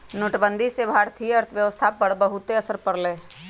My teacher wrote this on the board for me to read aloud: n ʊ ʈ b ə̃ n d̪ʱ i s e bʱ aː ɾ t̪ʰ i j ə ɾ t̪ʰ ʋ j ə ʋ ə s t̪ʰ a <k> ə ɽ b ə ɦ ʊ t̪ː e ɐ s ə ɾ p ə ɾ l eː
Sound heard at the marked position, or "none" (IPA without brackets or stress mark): p